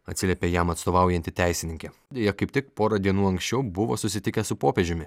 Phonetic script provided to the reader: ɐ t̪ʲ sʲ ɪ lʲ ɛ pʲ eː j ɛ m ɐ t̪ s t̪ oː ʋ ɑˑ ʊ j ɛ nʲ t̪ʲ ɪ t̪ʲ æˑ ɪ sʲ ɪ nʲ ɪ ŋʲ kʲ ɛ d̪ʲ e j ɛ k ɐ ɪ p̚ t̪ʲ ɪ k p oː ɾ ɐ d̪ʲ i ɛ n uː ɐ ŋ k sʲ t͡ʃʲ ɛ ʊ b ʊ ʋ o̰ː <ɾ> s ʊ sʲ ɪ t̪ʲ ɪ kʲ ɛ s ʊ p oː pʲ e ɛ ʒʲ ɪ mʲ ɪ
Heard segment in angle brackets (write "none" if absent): none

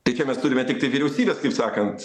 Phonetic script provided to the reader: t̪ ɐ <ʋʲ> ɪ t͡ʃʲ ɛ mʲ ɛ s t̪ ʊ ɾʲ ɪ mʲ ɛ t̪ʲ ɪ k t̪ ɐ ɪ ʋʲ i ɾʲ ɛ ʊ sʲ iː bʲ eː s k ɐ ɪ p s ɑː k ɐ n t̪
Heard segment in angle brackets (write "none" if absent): none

